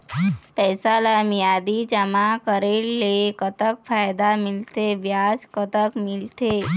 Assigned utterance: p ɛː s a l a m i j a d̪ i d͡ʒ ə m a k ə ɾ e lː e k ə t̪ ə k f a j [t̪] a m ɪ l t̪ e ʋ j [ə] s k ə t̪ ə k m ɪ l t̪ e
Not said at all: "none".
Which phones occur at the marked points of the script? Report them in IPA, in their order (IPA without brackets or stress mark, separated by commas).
d̪, a